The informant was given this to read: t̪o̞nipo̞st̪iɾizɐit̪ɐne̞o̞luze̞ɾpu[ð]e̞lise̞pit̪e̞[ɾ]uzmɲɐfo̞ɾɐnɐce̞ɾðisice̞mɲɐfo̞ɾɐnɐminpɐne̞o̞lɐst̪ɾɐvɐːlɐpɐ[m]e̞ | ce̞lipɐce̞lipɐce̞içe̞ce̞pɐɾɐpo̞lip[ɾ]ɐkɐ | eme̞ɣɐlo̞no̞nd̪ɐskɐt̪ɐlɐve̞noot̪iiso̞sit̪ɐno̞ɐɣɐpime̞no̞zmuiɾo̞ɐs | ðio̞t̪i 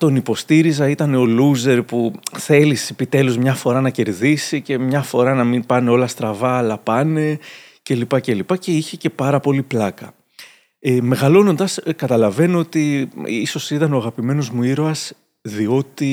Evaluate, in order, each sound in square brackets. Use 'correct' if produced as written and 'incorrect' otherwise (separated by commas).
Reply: incorrect, incorrect, incorrect, incorrect